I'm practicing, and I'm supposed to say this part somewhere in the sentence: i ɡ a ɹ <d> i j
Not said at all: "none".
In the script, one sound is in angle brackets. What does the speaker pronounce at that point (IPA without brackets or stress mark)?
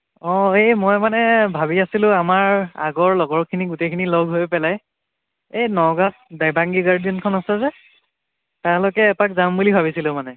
d